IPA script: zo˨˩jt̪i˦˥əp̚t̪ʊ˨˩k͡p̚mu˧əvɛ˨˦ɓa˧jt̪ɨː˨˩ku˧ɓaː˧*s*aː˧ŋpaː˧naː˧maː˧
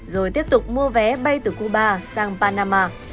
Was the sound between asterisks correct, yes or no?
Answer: yes